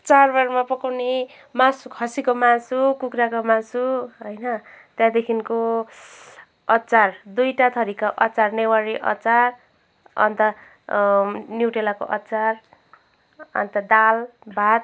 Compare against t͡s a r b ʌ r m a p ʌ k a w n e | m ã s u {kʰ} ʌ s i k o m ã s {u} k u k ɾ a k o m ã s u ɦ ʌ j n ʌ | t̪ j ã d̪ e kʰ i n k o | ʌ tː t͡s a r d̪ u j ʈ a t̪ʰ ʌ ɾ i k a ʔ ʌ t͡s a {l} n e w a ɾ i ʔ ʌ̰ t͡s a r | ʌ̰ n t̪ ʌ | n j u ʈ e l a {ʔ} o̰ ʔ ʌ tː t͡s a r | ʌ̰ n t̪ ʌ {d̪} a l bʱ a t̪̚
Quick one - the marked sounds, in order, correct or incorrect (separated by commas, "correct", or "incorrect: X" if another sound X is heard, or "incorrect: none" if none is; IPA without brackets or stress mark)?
correct, correct, incorrect: r, incorrect: k, correct